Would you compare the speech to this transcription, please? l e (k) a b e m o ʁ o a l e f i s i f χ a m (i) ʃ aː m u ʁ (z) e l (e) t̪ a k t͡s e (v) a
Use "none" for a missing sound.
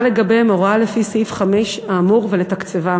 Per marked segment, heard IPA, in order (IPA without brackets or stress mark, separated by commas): ɡ, e, v, e, v